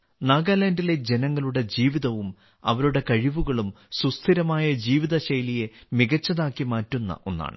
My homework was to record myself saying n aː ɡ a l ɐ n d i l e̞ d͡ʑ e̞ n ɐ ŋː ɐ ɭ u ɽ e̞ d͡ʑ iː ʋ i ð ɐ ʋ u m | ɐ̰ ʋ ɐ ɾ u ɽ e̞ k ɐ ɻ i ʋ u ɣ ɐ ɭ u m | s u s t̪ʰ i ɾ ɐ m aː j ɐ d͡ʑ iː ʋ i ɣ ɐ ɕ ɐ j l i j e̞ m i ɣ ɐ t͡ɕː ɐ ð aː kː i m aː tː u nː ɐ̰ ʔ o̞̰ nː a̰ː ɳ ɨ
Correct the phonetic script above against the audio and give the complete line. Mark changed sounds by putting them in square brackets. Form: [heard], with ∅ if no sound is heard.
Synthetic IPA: n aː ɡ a l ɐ n d i l e̞ d͡ʑ e̞ n ɐ ŋː ɐ ɭ u ɽ e̞ d͡ʑ iː ʋ i ð ɐ ʋ u m | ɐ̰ ʋ ɐ ɾ u ɽ e̞ k ɐ ɻ i ʋ u ɣ ɐ ɭ u m | s u s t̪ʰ i ɾ ɐ m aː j ɐ d͡ʑ iː ʋ i [ð] ɐ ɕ ɐ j l i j e̞ m i ɣ ɐ t͡ɕː ɐ ð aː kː i m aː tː u nː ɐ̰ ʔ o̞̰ nː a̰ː ɳ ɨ